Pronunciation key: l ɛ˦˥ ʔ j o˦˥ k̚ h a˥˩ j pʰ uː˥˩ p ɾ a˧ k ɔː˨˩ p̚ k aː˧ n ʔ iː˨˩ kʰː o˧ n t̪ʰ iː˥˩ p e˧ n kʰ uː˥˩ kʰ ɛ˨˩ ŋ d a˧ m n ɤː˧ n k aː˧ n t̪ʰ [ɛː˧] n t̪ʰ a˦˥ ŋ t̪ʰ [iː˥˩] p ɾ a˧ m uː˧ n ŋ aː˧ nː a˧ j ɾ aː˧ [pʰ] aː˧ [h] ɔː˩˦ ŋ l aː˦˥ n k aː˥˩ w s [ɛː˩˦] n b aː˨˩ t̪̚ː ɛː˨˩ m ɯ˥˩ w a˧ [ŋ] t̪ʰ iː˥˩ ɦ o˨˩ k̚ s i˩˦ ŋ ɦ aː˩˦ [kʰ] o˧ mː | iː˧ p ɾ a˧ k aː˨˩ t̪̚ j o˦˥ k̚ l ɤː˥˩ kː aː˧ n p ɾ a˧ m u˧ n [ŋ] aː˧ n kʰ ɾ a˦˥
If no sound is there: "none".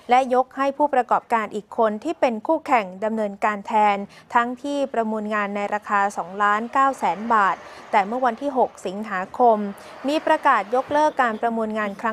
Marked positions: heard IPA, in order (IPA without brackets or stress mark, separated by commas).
ɛː˧, iː˥˩, kʰ, s, ɛː˩˦, n, kʰ, ŋ